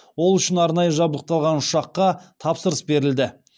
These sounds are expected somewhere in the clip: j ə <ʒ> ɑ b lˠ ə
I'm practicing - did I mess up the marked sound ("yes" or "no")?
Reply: no